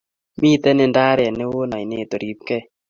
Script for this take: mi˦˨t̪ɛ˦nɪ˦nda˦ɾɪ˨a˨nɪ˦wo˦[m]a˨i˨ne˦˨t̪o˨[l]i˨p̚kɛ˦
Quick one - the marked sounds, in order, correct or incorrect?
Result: incorrect, incorrect

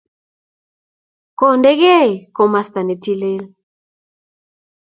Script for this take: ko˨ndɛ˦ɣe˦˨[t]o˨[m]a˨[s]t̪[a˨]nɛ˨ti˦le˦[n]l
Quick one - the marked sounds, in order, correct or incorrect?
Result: incorrect, correct, correct, correct, incorrect

